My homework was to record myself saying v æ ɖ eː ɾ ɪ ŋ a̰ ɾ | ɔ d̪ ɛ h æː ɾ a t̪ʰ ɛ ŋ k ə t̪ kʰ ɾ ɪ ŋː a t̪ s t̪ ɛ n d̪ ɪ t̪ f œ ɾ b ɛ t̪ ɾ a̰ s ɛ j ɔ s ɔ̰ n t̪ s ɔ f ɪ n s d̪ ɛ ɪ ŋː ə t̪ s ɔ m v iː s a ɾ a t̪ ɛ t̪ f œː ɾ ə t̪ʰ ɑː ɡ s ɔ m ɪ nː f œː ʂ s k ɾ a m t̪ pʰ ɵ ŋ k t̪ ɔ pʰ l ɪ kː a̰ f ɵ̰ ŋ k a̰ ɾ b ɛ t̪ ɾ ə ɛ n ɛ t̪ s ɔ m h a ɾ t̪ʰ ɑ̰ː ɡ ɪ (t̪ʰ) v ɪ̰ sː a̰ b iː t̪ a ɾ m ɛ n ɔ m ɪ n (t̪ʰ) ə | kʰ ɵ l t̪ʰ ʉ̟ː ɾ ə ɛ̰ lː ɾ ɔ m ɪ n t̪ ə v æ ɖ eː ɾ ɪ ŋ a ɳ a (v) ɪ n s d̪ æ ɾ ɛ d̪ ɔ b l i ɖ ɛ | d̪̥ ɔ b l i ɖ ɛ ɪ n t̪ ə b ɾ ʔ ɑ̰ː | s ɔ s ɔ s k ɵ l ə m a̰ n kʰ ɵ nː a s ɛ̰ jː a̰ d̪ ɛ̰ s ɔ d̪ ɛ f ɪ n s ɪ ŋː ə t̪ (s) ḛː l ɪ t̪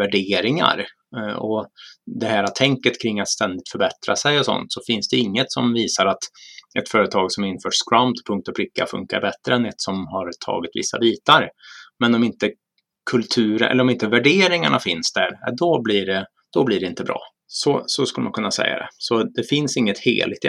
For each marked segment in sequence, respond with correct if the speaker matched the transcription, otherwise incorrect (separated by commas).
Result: incorrect, incorrect, incorrect, incorrect